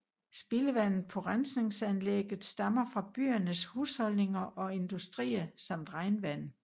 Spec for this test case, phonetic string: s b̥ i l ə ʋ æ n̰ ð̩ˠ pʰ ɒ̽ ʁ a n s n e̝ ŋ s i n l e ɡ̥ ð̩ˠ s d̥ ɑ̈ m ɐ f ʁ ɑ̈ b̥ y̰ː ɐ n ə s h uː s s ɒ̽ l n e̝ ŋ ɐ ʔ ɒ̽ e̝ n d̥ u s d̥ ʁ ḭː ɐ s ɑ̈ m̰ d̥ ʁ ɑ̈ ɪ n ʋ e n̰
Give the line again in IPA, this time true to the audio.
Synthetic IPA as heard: s b̥ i l ə ʋ æ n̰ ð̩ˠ pʰ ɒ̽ ʁ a n s n e̝ ŋ s æ n l e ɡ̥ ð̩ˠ s d̥ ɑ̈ m ɐ f ʁ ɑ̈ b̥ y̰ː ɐ n ə s h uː s h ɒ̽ l n e̝ ŋ ɐ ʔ ɒ̽ e̝ n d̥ u s d̥ ʁ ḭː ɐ s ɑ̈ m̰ d̥ ʁ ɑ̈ ɪ n ʋ æ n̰